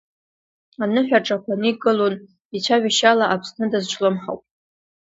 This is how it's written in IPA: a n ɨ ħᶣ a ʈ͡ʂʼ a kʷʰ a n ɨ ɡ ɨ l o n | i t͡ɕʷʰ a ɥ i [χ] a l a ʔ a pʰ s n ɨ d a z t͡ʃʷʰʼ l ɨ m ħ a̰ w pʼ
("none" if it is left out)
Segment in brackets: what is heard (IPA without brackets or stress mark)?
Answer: ʃ